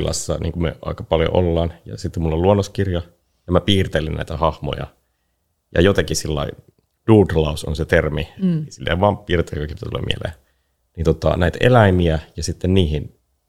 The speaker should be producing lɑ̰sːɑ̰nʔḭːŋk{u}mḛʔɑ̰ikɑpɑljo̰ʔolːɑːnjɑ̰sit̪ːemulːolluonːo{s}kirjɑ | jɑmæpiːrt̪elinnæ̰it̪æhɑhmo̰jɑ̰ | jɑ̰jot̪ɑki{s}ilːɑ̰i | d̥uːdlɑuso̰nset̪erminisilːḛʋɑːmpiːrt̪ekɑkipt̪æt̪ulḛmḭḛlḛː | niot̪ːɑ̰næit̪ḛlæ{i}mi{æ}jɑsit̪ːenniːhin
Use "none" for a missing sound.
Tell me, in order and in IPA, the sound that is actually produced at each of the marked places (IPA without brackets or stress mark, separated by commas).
u, s, s, i, æ